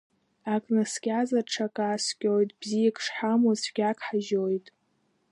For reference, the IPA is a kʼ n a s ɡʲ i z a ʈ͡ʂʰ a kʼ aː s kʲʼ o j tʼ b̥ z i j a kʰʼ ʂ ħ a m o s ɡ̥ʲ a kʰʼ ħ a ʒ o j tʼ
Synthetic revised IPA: a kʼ n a s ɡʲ a z a ʈ͡ʂʰ a kʼ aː s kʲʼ o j tʼ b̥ z i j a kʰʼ ʂ ħ a m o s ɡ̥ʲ a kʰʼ ħ a ʒ o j tʼ

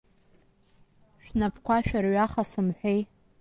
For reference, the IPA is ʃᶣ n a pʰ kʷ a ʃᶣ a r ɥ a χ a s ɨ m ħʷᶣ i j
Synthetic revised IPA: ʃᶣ n a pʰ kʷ a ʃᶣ a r ɥ a χ a s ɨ m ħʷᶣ e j

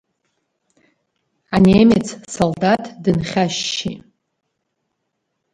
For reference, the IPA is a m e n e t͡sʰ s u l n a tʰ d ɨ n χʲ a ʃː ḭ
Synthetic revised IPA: a n e m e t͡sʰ s o l d a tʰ d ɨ n χʲ a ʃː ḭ

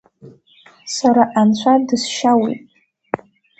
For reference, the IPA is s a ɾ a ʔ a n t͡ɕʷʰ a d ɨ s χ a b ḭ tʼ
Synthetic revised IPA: s a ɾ a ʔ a n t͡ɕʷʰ a d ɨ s ʃ a w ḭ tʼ

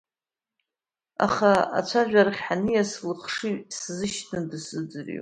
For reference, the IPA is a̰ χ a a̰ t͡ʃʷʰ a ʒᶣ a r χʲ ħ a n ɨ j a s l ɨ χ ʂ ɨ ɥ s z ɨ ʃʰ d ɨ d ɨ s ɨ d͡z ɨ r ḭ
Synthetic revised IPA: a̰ χ a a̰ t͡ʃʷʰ a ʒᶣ a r χʲ ħ a n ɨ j a s l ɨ χ ʂ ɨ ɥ s z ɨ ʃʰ n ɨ d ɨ s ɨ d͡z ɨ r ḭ

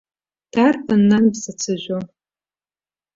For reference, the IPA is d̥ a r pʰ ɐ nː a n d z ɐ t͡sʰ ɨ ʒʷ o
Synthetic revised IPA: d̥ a r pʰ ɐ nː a n b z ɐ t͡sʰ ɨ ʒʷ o

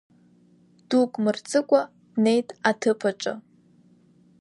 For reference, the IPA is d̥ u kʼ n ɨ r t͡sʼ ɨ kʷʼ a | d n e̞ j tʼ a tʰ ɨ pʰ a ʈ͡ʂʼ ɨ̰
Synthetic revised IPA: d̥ u kʼ m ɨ r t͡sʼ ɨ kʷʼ a | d n e̞ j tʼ a tʰ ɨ pʰ a ʈ͡ʂʼ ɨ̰

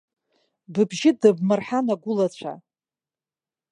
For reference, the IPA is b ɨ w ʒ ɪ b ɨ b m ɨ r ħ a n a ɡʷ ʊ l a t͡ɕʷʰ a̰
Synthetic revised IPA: b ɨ b ʒ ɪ d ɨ b m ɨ r ħ a n a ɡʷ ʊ l a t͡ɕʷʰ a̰

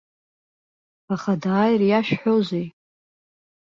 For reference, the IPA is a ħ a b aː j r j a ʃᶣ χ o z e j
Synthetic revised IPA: a χ a d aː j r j a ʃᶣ ħ o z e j

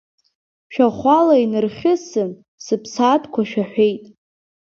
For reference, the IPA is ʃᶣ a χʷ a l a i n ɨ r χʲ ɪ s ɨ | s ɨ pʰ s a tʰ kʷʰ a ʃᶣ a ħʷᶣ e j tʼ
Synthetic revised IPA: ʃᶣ a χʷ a l a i n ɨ r χʲ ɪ s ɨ | s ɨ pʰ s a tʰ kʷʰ a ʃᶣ a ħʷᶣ e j tʼ

